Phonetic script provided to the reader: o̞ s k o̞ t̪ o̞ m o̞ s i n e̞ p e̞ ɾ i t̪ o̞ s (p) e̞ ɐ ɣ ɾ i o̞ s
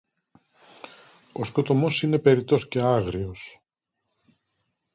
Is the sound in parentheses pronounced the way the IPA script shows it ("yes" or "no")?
no